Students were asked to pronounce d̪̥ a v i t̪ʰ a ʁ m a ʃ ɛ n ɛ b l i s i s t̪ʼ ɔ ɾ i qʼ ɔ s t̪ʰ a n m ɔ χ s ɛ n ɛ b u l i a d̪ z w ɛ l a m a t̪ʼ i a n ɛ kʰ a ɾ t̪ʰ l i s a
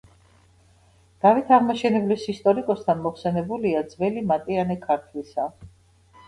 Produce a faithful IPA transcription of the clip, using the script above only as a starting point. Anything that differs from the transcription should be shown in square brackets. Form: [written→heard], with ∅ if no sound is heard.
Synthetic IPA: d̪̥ a v i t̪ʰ a ʁ m a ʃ ɛ n ɛ b l i s i s t̪ʼ ɔ ɾ i [qʼ→kʼ] ɔ s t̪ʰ a n m ɔ χ s ɛ n ɛ b u l i a d̪ z [w→v] ɛ l [a→i] m a t̪ʼ i a n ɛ kʰ a ɾ t̪ʰ l i s a

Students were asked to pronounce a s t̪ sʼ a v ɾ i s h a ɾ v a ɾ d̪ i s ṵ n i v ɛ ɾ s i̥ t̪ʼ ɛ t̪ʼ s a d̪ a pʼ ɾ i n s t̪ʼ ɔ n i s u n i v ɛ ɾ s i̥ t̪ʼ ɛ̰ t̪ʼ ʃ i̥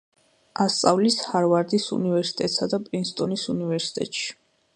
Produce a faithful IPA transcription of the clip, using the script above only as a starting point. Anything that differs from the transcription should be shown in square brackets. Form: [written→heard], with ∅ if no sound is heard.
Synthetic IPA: a s t̪ sʼ a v [ɾ→l] i s h a ɾ v a ɾ d̪ i s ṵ n i v ɛ ɾ s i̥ t̪ʼ ɛ t̪ʼ s a d̪ a pʼ ɾ i n s t̪ʼ ɔ n i s u n i v ɛ ɾ s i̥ t̪ʼ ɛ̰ t̪ʼ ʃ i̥

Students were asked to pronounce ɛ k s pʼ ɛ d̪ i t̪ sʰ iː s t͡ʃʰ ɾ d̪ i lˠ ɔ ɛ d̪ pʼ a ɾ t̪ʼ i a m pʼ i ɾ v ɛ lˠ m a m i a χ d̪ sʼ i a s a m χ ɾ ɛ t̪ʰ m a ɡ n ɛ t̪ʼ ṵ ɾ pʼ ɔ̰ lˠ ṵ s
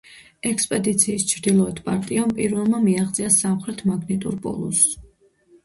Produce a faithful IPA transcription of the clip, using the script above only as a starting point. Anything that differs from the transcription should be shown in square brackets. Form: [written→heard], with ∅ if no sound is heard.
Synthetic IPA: ɛ k s pʼ ɛ d̪ i t̪ sʰ iː s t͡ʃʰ ɾ d̪ i lˠ ɔ ɛ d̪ pʼ a ɾ t̪ʼ i a m pʼ i ɾ v ɛ lˠ m a m i a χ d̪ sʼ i a s a m χ ɾ ɛ t̪ʰ m a ɡ n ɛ t̪ʼ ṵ ɾ pʼ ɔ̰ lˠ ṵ s

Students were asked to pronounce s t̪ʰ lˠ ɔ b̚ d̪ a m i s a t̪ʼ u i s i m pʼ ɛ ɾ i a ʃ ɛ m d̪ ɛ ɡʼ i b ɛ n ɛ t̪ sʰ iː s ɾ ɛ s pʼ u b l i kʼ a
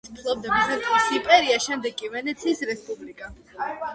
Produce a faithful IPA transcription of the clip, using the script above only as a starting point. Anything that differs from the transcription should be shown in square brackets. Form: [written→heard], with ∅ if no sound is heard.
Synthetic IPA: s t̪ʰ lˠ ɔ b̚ d̪ a m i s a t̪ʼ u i s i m pʼ ɛ ɾ i a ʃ ɛ m d̪ ɛ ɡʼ i [b→v] ɛ n ɛ t̪ sʰ iː s ɾ ɛ s pʼ u b l i kʼ a

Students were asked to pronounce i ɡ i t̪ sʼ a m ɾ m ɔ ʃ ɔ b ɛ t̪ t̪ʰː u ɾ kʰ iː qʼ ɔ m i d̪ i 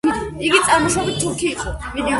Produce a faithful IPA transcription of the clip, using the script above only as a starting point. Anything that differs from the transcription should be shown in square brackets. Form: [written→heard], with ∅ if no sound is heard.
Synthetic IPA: i ɡ i t̪ sʼ a [m→∅] ɾ m ɔ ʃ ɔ b [ɛ→i] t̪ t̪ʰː u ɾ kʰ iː qʼ ɔ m i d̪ i

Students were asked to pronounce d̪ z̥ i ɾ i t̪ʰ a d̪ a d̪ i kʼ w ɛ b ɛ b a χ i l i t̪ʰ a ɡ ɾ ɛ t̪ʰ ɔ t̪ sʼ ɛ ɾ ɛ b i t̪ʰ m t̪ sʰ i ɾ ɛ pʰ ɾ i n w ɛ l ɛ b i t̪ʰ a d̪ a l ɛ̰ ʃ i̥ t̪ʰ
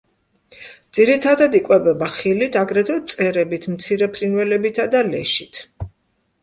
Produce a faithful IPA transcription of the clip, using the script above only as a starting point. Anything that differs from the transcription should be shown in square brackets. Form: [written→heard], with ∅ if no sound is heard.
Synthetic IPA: d̪ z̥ i ɾ i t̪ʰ a d̪ a d̪ i kʼ w ɛ b ɛ b a χ i l i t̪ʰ a ɡ ɾ ɛ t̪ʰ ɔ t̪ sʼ ɛ ɾ ɛ b i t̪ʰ m t̪ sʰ i ɾ ɛ pʰ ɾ i n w ɛ l ɛ b i t̪ʰ a d̪ a l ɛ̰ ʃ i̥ t̪ʰ

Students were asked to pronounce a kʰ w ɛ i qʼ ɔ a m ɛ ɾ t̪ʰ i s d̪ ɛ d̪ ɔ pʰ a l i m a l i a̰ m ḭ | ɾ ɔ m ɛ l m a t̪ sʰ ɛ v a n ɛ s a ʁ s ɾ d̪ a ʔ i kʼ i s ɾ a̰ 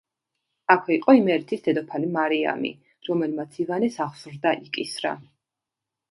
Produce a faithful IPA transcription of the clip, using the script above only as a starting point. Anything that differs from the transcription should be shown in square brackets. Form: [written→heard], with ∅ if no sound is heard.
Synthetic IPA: a kʰ w ɛ i qʼ ɔ [a→i] m ɛ ɾ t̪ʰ i s d̪ ɛ d̪ ɔ pʰ a l i m a [l→ɾ] i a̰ m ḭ | ɾ ɔ m ɛ l m a t̪ sʰ [ɛ→i] v a n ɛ s a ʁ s ɾ d̪ a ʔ i kʼ i s ɾ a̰

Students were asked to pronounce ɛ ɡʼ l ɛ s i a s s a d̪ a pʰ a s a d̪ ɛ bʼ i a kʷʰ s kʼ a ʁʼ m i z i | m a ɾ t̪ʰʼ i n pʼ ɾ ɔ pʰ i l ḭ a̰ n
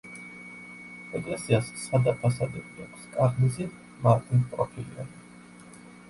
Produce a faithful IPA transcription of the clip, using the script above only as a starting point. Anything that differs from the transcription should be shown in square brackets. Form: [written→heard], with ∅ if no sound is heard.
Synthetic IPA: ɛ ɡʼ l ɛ s i a s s a d̪ a pʰ a s a d̪ ɛ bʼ i a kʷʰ s kʼ a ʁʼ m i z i | m a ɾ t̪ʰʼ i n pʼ ɾ ɔ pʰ i l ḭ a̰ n

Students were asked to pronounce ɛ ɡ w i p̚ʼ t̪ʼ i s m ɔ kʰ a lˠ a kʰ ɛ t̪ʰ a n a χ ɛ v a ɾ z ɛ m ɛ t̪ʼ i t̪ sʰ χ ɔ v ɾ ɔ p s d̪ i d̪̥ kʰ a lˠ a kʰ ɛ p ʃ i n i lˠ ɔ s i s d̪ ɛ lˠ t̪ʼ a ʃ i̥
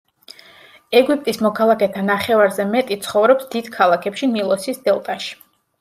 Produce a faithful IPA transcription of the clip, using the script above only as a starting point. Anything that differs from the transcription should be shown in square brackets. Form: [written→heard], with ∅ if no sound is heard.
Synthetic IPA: ɛ ɡ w i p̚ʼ t̪ʼ i s m ɔ kʰ a lˠ a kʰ ɛ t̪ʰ a n a χ ɛ v a ɾ z ɛ m ɛ t̪ʼ i t̪ sʰ χ ɔ v ɾ ɔ p s d̪ i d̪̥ kʰ a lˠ a kʰ ɛ p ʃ i n i lˠ ɔ s i s d̪ ɛ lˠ t̪ʼ a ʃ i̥

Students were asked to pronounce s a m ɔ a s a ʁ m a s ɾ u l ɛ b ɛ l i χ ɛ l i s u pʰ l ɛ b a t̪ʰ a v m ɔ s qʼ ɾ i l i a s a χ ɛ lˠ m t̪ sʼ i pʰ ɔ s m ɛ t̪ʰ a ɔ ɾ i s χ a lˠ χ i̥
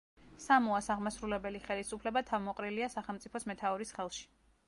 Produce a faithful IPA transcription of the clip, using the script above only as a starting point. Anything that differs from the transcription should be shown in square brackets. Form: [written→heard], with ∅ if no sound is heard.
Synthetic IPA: s a m ɔ a s a ʁ m a s ɾ u l ɛ b ɛ l i χ ɛ l i s u pʰ l ɛ b a t̪ʰ a v m ɔ [s→∅] qʼ ɾ i l i a s a χ ɛ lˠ m t̪ sʼ i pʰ ɔ s m ɛ t̪ʰ a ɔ ɾ i s χ [a→ɛ] lˠ [χ→ʃ] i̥

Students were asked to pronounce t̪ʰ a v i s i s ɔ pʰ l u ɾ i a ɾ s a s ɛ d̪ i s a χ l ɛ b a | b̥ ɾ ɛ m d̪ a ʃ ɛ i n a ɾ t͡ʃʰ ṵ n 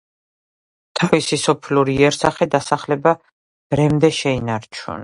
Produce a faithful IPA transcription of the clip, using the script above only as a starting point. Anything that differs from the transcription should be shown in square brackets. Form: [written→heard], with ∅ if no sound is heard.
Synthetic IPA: t̪ʰ a v i s i s ɔ pʰ l u ɾ i [a→ɛ] ɾ s a [s→χ] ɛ d̪ [i→a] s a χ l ɛ b a | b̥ ɾ ɛ m d̪ [a→ɛ] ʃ ɛ i n a ɾ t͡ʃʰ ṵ n

